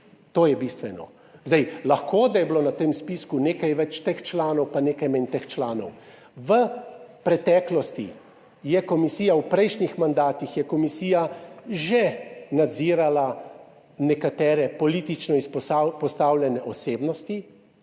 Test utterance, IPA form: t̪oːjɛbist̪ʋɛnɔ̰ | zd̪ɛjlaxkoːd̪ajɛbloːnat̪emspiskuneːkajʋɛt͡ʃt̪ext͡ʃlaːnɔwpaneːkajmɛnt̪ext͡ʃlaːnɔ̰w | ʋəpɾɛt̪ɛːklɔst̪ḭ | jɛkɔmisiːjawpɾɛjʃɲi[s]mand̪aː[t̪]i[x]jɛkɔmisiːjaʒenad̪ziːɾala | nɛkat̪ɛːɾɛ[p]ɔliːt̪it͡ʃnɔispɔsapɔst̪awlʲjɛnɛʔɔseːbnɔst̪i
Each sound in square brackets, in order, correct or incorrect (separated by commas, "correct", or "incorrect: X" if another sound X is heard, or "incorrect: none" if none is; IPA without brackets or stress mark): incorrect: x, correct, correct, correct